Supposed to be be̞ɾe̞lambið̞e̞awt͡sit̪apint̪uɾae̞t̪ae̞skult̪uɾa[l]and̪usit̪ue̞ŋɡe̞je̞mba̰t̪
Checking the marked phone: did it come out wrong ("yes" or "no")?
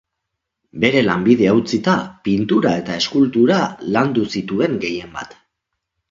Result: no